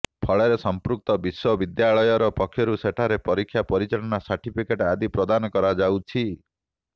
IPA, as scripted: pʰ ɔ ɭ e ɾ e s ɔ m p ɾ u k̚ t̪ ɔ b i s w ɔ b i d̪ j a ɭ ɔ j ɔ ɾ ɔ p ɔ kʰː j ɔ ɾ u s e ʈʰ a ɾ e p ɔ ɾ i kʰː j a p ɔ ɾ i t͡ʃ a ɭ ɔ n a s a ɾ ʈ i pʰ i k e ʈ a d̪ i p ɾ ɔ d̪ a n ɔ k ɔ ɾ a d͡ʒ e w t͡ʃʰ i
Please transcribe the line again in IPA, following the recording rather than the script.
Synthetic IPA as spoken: pʰ ɔ ɭ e ɾ e s ɔ m p ɾ u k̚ t̪ ɔ b i s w ɔ b i d̪ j a ɭ ɔ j ɔ ɾ ɔ p ɔ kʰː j ɔ ɾ u s e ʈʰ a ɾ e p ɔ ɾ i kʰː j a p ɔ ɾ i t͡ʃ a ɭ ɔ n a s a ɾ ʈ i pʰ i k e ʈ a d̪ i p ɾ ɔ d̪ a n ɔ k ɔ ɾ a d͡ʒ a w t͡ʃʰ i